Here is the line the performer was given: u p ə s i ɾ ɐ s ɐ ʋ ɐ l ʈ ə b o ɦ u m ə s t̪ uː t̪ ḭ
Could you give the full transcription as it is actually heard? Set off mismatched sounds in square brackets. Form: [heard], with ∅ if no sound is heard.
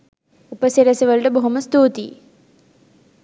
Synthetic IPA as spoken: u p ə s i ɾ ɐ s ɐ ʋ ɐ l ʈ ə b o ɦ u m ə s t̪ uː t̪ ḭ